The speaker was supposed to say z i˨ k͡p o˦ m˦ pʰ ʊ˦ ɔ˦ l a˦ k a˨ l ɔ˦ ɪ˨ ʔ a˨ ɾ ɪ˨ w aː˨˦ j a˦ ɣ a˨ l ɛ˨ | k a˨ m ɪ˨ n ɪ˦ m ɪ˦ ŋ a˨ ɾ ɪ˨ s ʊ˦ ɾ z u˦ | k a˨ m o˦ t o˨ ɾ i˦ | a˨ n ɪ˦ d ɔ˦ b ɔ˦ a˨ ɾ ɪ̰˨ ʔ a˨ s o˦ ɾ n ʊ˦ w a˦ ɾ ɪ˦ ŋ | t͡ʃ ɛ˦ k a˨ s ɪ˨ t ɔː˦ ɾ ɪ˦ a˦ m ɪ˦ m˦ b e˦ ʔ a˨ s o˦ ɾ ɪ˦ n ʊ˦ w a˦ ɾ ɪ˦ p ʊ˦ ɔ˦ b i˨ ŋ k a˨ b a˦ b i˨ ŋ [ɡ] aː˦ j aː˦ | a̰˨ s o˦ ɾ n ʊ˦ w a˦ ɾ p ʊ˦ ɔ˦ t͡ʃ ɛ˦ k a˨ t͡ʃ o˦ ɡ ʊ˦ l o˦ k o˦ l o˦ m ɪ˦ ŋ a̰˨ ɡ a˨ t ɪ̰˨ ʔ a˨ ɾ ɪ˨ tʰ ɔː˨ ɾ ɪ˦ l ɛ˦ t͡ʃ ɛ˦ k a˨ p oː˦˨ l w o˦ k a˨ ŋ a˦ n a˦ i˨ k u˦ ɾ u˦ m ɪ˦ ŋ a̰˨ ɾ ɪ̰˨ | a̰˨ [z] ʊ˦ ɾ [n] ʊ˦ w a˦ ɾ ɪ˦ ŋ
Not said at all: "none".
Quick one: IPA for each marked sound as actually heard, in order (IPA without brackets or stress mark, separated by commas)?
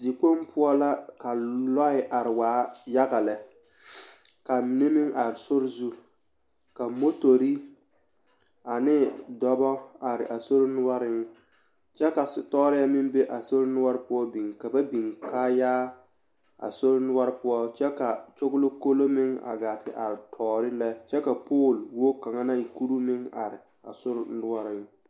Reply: k, s, n